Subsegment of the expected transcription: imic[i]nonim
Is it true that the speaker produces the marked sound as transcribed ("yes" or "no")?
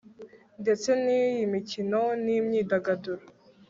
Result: yes